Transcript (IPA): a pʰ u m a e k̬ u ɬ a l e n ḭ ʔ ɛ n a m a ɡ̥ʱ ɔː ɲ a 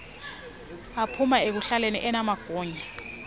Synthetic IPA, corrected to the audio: a pʰ u m a e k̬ u ɬ a l e n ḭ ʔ ɛ n a m a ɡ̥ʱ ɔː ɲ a